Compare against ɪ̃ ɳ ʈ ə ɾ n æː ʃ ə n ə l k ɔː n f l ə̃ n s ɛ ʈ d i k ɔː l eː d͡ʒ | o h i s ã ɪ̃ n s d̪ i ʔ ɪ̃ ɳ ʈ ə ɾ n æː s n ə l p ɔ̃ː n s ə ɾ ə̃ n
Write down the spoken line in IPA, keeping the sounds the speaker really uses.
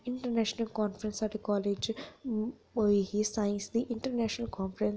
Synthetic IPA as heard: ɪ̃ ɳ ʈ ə ɾ n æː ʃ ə n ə l k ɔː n f ɾ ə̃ n s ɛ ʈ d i k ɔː l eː d͡ʒ | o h i s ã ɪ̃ n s d̪ i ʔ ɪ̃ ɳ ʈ ə ɾ n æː ʃ n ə l k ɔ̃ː n f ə ɾ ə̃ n

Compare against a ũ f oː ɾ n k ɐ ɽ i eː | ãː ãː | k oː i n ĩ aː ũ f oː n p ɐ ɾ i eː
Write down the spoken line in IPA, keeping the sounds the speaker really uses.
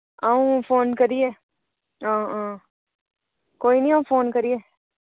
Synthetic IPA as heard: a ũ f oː n k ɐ ɾ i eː | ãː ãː | k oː i n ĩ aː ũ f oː n k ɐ ɾ i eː

